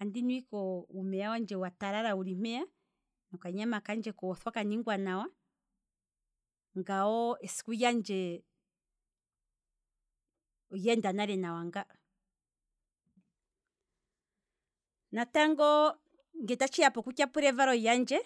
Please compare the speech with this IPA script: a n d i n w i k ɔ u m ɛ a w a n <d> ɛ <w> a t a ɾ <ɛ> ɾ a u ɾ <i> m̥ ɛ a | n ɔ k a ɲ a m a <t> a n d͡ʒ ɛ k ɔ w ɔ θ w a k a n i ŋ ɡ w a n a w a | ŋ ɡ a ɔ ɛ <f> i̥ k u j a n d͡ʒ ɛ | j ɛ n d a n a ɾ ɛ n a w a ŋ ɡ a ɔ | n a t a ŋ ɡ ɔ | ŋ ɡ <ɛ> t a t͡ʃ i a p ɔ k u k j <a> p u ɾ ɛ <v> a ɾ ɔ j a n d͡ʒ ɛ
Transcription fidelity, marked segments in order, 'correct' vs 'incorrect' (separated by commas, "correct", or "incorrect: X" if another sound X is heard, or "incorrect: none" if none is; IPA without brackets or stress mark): incorrect: d͡ʒ, correct, incorrect: a, correct, incorrect: k, incorrect: s, correct, correct, correct